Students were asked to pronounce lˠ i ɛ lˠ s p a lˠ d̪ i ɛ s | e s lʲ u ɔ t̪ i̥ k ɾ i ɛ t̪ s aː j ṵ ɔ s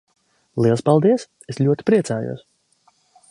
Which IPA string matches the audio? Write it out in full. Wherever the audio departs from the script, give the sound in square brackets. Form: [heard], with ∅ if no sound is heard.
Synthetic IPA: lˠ i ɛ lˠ s p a lˠ d̪ i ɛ s | e s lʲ u ɔ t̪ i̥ [p] ɾ i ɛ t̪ s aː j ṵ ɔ s